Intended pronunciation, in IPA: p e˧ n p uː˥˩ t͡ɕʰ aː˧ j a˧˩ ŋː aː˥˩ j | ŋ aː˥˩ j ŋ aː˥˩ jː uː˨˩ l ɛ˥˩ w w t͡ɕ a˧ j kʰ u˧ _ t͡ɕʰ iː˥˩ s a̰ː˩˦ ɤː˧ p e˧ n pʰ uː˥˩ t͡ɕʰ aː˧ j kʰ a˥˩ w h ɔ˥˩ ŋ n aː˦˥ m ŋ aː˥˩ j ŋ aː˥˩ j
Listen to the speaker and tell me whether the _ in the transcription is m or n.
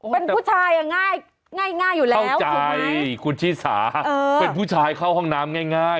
n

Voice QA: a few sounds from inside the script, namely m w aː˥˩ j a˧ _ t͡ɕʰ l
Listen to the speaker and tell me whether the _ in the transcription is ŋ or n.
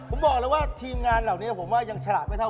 ŋ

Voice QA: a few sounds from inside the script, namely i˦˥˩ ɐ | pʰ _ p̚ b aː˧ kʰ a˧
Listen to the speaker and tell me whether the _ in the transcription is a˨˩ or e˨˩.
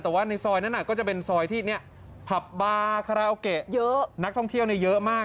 a˨˩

